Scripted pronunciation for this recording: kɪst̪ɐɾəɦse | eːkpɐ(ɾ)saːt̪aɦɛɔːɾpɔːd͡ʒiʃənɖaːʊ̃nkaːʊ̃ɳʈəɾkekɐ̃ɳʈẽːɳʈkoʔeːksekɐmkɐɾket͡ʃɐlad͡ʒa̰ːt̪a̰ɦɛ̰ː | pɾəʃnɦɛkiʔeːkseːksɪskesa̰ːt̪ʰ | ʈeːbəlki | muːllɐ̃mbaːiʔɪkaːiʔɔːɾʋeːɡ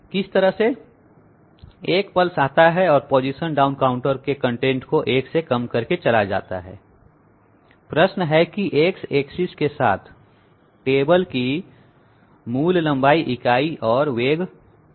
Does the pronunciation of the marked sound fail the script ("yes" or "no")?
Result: yes